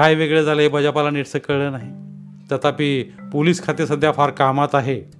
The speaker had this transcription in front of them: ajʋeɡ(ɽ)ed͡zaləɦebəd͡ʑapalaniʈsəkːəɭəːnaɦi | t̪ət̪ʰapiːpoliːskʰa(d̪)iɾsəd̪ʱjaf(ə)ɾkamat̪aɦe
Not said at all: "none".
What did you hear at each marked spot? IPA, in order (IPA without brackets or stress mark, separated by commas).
ɭ, t̪, a